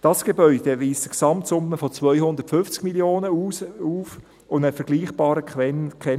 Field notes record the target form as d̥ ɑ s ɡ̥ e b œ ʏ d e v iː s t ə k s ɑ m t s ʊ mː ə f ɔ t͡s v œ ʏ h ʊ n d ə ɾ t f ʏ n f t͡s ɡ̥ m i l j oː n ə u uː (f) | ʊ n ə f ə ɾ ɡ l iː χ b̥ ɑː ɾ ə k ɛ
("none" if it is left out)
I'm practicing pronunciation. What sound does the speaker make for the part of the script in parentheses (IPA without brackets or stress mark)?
f